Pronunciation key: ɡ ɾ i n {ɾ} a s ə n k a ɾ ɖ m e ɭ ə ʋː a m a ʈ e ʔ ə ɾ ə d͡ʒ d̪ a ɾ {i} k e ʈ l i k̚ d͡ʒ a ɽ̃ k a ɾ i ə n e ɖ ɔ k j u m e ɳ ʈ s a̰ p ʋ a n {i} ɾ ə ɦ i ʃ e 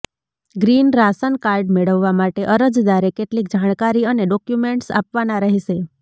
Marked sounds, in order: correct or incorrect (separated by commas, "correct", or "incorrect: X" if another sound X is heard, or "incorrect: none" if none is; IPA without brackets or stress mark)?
correct, incorrect: e, incorrect: a